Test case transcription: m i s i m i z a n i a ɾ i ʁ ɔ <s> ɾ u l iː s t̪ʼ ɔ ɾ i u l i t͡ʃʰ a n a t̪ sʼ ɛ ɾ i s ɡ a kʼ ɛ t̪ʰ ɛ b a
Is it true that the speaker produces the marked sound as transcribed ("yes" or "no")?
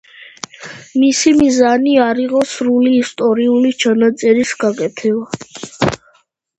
yes